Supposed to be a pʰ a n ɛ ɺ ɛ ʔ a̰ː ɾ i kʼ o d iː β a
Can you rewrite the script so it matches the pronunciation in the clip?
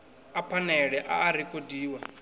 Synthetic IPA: a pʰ a n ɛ ɺ ɛ ʔ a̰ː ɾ i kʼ o d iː w a